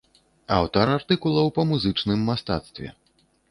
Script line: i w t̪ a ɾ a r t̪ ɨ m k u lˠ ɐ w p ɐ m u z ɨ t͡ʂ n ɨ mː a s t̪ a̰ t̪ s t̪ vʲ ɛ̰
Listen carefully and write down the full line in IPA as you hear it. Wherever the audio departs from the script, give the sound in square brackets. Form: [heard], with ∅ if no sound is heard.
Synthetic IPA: [a] w t̪ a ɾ a r t̪ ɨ [∅] k u lˠ ɐ w p ɐ m u z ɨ t͡ʂ n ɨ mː a s t̪ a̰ t̪ s t̪ vʲ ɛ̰